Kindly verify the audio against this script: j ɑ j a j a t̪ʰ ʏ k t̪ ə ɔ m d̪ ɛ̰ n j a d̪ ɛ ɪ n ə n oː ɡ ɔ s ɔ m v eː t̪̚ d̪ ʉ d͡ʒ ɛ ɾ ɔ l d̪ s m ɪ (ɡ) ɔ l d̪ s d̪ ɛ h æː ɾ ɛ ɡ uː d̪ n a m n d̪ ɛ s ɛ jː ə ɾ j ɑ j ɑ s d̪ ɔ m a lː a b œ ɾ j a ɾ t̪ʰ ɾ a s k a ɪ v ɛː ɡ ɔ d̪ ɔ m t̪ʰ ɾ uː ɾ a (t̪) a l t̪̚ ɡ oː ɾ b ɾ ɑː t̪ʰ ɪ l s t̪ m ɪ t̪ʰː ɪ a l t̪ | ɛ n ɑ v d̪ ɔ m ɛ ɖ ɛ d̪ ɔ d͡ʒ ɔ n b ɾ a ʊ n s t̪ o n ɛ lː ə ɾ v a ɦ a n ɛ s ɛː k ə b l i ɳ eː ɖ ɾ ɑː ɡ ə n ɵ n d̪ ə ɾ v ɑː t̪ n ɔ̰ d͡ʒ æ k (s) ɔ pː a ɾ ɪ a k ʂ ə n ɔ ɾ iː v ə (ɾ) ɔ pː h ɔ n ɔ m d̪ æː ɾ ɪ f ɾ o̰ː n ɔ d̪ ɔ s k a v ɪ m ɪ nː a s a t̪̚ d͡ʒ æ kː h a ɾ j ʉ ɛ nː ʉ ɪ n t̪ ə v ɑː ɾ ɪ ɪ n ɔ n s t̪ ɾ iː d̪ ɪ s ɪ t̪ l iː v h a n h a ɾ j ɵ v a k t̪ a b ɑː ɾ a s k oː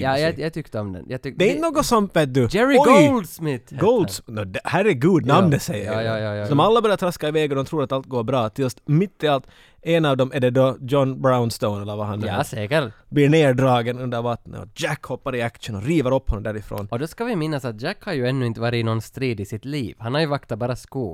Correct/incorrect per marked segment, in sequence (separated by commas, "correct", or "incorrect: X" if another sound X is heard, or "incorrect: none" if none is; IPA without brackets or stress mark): correct, correct, incorrect: h, correct